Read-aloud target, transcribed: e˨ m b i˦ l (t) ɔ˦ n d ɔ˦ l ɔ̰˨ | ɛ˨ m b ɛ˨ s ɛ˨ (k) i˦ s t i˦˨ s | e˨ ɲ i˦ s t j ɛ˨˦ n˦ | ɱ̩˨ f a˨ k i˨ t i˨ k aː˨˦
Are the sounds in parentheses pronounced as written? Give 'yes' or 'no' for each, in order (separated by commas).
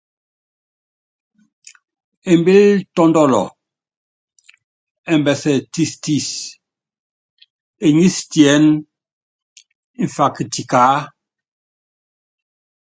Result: yes, no